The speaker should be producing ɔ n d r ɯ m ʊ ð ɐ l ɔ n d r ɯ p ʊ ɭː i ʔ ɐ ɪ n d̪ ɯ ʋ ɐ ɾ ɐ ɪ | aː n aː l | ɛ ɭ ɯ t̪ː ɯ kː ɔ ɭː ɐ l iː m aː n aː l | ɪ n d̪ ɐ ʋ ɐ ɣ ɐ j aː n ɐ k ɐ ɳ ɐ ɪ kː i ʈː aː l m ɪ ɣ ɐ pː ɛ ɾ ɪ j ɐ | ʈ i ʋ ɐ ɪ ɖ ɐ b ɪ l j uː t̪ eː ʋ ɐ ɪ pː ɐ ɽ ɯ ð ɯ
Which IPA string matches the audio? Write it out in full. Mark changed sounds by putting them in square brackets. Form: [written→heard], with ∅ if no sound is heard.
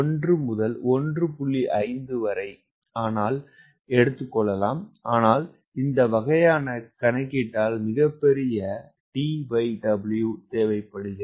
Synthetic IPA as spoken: ɔ n d r ɯ m ʊ ð ɐ l ɔ n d r ɯ p ʊ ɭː i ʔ ɐ ɪ n d̪ ɯ ʋ ɐ ɾ ɐ ɪ | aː n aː l | ɛ [ɭ→ɽ] ɯ t̪ː ɯ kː ɔ ɭː ɐ l [iː→aː] m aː n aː l | ɪ n d̪ ɐ ʋ ɐ ɣ ɐ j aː n ɐ k ɐ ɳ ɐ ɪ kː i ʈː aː l m ɪ ɣ ɐ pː ɛ ɾ ɪ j ɐ | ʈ i ʋ ɐ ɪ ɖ ɐ b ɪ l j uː t̪ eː ʋ ɐ ɪ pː ɐ ɽ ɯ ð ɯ

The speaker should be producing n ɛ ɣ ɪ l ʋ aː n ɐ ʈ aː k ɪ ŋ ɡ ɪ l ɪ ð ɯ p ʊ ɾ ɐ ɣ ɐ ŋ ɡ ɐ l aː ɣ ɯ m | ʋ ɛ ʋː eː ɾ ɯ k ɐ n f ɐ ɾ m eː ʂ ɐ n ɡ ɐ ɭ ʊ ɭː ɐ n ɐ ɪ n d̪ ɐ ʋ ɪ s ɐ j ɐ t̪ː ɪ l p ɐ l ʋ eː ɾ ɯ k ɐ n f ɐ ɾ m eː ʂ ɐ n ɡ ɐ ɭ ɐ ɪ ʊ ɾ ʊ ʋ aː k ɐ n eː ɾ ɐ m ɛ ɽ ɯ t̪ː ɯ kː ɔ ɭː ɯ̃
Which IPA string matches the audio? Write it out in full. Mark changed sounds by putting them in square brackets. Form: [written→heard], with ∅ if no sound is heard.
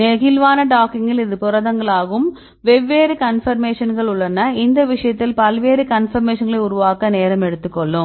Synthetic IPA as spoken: n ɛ ɣ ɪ l ʋ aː n ɐ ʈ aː k ɪ ŋ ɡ ɪ l ɪ ð ɯ p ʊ ɾ ɐ [ɣ→ð] ɐ ŋ ɡ ɐ [l→ɭ] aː ɣ ɯ m | ʋ ɛ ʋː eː ɾ ɯ k ɐ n f ɐ ɾ m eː ʂ ɐ n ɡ ɐ ɭ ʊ ɭː ɐ n ɐ ɪ n d̪ ɐ ʋ ɪ [s→ʂ] ɐ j ɐ t̪ː ɪ l p ɐ l ʋ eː ɾ ɯ k ɐ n f ɐ ɾ m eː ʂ ɐ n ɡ ɐ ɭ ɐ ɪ ʊ ɾ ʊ ʋ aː k ɐ n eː ɾ ɐ m ɛ ɽ ɯ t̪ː ɯ kː ɔ ɭː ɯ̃

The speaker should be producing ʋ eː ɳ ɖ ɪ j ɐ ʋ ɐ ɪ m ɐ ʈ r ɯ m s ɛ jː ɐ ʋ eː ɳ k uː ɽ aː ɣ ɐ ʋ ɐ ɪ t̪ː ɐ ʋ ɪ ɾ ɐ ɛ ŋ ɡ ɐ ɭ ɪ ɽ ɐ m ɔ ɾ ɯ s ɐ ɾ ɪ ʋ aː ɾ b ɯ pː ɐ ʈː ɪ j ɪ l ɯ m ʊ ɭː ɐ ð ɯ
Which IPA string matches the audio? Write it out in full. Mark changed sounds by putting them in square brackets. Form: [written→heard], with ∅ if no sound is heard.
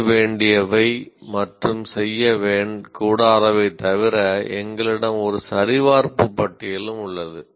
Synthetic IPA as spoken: ʋ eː ɳ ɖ ɪ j ɐ ʋ ɐ ɪ m ɐ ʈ r ɯ m s ɛ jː ɐ ʋ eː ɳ k uː ɽ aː [ɣ→ð] ɐ ʋ ɐ ɪ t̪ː ɐ ʋ ɪ ɾ ɐ ɛ ŋ ɡ ɐ ɭ ɪ ɽ ɐ m ɔ ɾ ɯ s ɐ ɾ ɪ ʋ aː ɾ [b→p] ɯ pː ɐ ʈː ɪ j ɪ l ɯ m ʊ ɭː ɐ ð ɯ

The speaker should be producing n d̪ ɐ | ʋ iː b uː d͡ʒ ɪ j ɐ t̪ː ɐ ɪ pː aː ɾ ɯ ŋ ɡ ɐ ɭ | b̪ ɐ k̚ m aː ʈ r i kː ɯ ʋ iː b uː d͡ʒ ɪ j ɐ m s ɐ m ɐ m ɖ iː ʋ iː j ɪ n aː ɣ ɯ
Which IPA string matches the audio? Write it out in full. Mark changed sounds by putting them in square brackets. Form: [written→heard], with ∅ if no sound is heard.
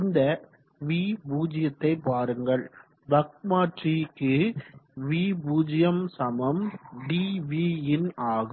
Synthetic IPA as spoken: n d̪ ɐ | ʋ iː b uː d͡ʒ ɪ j ɐ t̪ː ɐ ɪ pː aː ɾ ɯ ŋ ɡ ɐ ɭ | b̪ ɐ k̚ m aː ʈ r i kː ɯ ʋ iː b uː d͡ʒ ɪ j ɐ m s ɐ m ɐ m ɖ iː ʋ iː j ɪ n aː ɣ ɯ

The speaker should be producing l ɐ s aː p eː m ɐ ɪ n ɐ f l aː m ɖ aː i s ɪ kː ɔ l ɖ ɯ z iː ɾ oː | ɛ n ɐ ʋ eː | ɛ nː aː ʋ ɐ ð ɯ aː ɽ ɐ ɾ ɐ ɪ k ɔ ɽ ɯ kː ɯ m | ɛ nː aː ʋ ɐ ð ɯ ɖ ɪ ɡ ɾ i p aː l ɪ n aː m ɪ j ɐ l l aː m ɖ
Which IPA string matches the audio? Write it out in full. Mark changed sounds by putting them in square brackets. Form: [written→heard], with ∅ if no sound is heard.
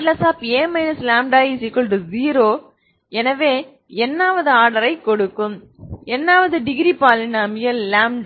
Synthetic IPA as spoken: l ɐ s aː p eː m ɐ ɪ n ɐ [f→s] l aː m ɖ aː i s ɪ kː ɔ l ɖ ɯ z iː ɾ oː | ɛ n ɐ ʋ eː | ɛ nː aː ʋ ɐ ð ɯ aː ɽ ɐ ɾ ɐ ɪ k ɔ ɽ ɯ kː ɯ m | ɛ nː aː ʋ ɐ ð ɯ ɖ ɪ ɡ ɾ i p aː l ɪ n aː m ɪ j ɐ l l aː m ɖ

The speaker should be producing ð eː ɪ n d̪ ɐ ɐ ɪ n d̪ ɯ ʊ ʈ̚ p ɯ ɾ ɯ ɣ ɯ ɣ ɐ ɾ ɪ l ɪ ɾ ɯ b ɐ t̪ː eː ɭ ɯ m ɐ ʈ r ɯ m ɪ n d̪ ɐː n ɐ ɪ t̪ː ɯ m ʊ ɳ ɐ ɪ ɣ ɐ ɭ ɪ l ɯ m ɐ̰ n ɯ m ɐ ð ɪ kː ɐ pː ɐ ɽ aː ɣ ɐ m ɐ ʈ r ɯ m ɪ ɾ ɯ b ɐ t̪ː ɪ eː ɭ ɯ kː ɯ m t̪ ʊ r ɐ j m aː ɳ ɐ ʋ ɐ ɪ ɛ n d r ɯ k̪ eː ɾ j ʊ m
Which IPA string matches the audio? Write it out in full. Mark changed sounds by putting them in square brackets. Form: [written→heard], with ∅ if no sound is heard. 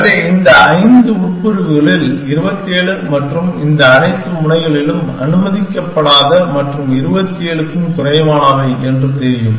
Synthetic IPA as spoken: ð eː ɪ n d̪ ɐ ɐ ɪ n d̪ ɯ ʊ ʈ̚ p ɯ ɾ ɯ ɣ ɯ ɣ ɐ [ɾ→ɭ] ɪ l ɪ ɾ ɯ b ɐ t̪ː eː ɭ ɯ m ɐ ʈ r ɯ m ɪ n d̪ ɐː n ɐ ɪ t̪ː ɯ m ʊ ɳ ɐ ɪ ɣ ɐ ɭ ɪ l ɯ m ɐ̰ n ɯ m ɐ ð ɪ kː ɐ pː ɐ ɽ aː [ɣ→ð] ɐ m ɐ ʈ r ɯ m ɪ ɾ ɯ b ɐ t̪ː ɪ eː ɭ ɯ kː ɯ m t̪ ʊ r ɐ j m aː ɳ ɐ ʋ ɐ ɪ ɛ n d r ɯ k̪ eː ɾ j [ʊ→ɯ] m

